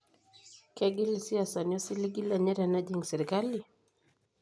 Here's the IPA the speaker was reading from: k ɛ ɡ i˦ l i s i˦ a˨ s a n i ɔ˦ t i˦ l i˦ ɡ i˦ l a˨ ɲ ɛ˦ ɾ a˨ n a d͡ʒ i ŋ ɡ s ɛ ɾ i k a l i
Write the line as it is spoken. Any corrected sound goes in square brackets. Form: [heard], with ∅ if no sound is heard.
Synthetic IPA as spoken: k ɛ ɡ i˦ l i s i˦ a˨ s a n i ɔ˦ [s] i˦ l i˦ ɡ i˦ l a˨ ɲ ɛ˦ ɾ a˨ n a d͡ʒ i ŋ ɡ s ɛ ɾ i k a l i